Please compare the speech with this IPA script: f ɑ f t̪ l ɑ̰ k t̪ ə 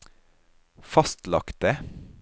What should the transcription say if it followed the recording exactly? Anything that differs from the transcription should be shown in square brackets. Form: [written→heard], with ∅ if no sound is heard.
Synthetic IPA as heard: f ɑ [f→s] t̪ l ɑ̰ k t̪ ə